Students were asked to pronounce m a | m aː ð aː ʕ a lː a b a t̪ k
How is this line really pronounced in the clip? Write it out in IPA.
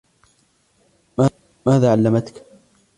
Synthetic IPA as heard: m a | m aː ð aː ʕ a lː a m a t̪ k